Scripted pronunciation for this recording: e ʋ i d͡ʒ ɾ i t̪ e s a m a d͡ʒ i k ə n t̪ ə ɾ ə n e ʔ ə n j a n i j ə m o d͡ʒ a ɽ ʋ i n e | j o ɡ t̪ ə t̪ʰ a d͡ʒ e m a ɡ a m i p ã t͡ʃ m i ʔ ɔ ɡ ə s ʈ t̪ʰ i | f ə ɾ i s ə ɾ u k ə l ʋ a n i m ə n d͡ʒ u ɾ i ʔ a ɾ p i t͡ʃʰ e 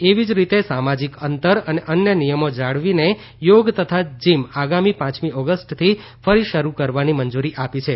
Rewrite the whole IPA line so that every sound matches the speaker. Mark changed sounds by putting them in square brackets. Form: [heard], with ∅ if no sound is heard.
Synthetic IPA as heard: e ʋ i d͡ʒ ɾ i t̪ e s a m a d͡ʒ i k ə n t̪ ə ɾ ə n e ʔ ə n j [ə] n i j ə m o d͡ʒ a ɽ ʋ i n e | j o ɡ t̪ ə t̪ʰ a d͡ʒ [i] m a ɡ a m i p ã t͡ʃ m i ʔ ɔ ɡ ə s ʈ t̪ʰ i | f ə ɾ i [ʃ] ə ɾ u k ə [ɾ] ʋ a n i m ə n d͡ʒ u ɾ i ʔ a [∅] p i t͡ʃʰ e

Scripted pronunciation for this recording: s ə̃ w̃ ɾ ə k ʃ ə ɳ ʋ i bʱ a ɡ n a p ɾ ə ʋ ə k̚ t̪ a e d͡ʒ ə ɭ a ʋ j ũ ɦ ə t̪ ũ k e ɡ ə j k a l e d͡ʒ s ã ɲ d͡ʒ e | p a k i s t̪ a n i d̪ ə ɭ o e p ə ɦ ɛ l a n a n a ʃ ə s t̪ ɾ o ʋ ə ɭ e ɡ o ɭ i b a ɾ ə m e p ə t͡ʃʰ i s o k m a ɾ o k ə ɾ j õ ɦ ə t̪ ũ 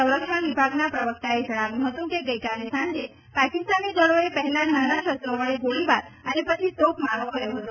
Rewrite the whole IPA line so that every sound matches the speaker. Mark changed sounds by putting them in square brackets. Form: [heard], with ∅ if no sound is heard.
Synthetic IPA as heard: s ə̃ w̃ ɾ ə k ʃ ə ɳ ʋ i bʱ a ɡ n a p ɾ ə ʋ ə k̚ t̪ a e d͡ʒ ə ɭ a ʋ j ũ ɦ ə t̪ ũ k e ɡ ə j k a l e [∅] s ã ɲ d͡ʒ e | p a k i s t̪ a n i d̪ ə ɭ o e p ə ɦ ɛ l a n a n a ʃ ə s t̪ ɾ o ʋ ə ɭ e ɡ o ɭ i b a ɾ ə [n] e p ə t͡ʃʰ i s o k m a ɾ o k ə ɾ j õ ɦ ə t̪ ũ

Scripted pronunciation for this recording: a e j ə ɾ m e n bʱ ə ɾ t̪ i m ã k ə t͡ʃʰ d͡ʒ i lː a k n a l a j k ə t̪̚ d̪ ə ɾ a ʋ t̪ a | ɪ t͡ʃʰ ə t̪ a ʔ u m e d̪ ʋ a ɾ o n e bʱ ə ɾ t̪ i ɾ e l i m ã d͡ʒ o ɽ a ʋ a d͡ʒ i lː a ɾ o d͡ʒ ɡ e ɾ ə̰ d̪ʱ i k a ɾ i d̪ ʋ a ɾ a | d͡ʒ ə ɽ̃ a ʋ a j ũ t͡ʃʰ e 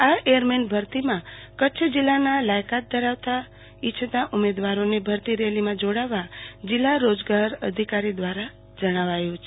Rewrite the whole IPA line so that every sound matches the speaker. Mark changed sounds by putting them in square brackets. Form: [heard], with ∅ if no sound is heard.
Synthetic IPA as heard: a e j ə ɾ m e n bʱ ə ɾ t̪ i m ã k ə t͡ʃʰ d͡ʒ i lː a [∅] n a l a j k [a] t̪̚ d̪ ə ɾ a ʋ t̪ a | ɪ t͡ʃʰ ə t̪ a ʔ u m e d̪ ʋ a ɾ o n e bʱ ə ɾ t̪ i ɾ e l i m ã d͡ʒ o ɽ a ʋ a d͡ʒ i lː a ɾ o d͡ʒ ɡ [a] ɾ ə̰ d̪ʱ i k a ɾ i d̪ ʋ a ɾ a | d͡ʒ ə ɽ̃ a ʋ a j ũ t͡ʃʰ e

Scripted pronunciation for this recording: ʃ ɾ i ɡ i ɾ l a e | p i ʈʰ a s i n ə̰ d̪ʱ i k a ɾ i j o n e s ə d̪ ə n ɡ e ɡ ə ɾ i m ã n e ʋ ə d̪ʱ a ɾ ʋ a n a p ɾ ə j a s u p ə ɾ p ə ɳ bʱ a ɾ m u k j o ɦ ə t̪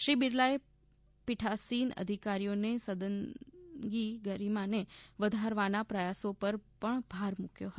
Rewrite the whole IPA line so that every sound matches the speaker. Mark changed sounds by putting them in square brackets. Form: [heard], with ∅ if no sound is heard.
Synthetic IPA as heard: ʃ ɾ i [b] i ɾ l a e | p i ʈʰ a s i n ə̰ d̪ʱ i k a ɾ i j o n e s ə d̪ ə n ɡ [i] ɡ ə ɾ i m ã n e ʋ ə d̪ʱ a ɾ ʋ a n a p ɾ ə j a s [o] p ə ɾ p ə ɳ bʱ a ɾ m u k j o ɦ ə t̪

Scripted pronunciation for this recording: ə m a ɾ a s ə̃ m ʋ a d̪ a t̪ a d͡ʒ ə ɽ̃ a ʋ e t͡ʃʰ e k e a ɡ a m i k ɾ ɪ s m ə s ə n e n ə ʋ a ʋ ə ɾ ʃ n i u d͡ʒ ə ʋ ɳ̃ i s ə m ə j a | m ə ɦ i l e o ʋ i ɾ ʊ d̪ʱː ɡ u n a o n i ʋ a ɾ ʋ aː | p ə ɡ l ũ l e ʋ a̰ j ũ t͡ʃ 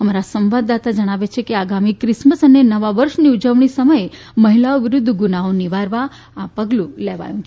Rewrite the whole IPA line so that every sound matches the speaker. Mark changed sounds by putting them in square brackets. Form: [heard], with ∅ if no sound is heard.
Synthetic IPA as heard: ə m a ɾ a s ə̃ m ʋ a d̪ a t̪ a d͡ʒ ə ɽ̃ a ʋ e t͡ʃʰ e k e a ɡ a m i k ɾ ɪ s m ə s ə n e n ə ʋ a ʋ ə ɾ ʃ n i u d͡ʒ ə ʋ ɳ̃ i s ə m ə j [e] | m ə ɦ i l [a] o ʋ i ɾ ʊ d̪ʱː ɡ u n a o n i ʋ a ɾ ʋ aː | p ə ɡ l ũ l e ʋ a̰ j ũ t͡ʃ

